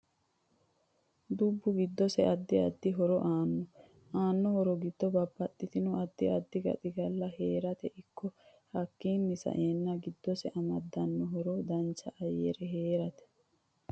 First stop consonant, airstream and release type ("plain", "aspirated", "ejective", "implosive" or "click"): plain